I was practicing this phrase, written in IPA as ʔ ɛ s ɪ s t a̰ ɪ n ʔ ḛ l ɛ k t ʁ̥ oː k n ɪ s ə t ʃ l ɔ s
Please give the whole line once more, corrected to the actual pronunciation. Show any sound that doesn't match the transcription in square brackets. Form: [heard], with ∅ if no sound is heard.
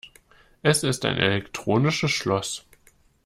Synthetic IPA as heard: ʔ ɛ s ɪ s t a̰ ɪ n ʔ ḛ l ɛ k t ʁ̥ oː [∅] n ɪ [ʃ] ə [s] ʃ l ɔ s